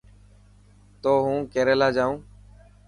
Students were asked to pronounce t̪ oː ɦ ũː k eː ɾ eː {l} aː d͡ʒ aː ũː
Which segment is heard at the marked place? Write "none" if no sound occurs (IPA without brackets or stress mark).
l